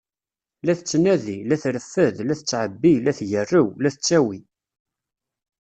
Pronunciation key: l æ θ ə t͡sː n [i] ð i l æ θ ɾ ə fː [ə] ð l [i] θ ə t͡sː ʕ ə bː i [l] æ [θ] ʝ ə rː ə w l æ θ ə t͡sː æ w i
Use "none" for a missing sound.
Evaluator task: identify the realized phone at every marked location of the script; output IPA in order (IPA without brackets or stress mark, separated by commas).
æ, ə, æ, l, θ